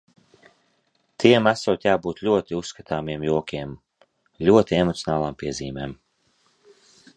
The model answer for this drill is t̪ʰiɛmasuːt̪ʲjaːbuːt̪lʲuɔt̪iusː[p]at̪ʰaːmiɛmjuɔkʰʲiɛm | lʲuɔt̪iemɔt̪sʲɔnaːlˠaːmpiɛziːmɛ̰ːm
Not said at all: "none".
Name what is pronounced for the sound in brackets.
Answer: k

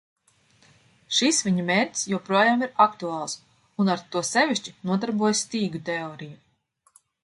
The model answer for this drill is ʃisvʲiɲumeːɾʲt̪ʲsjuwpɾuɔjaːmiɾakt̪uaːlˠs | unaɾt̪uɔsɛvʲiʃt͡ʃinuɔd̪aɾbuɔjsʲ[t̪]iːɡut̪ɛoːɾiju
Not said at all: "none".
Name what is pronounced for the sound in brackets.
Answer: t̪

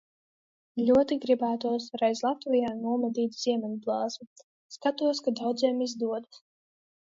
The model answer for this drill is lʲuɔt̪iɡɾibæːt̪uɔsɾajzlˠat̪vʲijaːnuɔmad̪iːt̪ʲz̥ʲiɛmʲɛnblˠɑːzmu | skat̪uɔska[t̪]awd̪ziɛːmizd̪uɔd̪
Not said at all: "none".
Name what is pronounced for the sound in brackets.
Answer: d̪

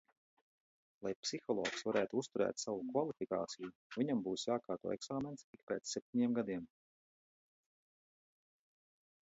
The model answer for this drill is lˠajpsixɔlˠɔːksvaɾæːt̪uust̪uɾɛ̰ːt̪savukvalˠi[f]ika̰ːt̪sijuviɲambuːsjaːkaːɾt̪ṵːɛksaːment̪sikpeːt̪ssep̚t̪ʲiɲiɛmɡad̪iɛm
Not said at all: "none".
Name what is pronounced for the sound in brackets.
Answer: f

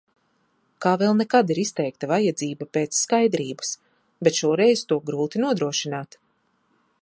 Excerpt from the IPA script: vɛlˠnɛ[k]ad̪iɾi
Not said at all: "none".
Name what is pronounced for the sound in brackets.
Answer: k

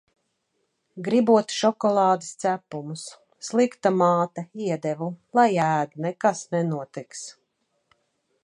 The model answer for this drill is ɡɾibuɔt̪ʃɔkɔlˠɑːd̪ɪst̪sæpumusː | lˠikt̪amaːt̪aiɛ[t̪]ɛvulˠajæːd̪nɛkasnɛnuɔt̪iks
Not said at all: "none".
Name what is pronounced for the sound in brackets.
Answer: d̪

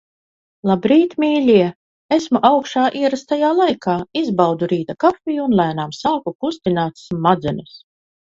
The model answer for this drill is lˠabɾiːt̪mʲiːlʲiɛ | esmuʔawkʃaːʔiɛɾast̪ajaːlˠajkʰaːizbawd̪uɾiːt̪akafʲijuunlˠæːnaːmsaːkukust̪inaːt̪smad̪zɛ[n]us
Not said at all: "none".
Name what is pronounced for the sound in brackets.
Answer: n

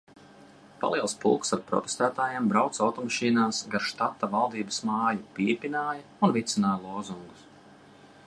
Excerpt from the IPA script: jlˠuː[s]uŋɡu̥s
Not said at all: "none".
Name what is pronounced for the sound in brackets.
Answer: z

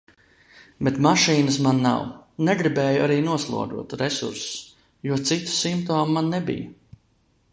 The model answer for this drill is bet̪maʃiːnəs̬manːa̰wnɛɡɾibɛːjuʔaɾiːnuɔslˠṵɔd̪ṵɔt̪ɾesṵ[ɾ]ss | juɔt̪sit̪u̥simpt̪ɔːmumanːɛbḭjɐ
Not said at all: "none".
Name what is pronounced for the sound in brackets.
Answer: ɾ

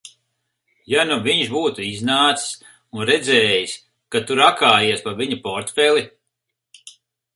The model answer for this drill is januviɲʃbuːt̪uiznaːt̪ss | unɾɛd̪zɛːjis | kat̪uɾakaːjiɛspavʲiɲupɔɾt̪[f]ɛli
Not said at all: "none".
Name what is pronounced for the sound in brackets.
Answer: f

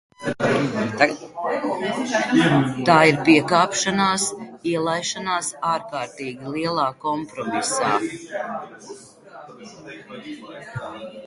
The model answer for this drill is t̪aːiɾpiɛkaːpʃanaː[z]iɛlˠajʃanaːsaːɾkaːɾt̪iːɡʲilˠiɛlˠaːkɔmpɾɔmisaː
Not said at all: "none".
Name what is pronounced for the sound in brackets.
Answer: s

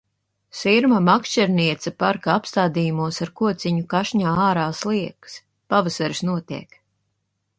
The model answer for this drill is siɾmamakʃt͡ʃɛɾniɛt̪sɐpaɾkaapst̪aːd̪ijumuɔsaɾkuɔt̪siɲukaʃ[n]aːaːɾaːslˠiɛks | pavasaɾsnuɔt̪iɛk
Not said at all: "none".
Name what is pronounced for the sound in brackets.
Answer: ɲ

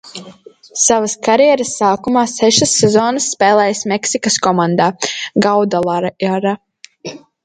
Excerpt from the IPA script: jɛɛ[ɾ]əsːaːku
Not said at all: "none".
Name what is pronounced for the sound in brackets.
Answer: ɾ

